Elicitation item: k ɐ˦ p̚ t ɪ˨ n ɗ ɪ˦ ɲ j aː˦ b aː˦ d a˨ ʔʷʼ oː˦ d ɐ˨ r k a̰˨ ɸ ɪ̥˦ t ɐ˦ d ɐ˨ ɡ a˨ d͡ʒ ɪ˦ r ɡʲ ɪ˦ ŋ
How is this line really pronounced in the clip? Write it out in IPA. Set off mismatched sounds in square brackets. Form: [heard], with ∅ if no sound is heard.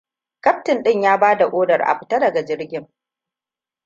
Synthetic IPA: k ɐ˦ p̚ t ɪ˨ n ɗ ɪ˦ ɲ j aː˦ b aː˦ d a˨ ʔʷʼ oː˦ d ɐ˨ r [ʔ] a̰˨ ɸ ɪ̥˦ t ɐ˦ d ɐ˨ ɡ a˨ d͡ʒ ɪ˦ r ɡʲ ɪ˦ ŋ